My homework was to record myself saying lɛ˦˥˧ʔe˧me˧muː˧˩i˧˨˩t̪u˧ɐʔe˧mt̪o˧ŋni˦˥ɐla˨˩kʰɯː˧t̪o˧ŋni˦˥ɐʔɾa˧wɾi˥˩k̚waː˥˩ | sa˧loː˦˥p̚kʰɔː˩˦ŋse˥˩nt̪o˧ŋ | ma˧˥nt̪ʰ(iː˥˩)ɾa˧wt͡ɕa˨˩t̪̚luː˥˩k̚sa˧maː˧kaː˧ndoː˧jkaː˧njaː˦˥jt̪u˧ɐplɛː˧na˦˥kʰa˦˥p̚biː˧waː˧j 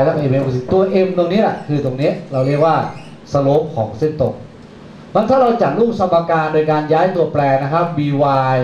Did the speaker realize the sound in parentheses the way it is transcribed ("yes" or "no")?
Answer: no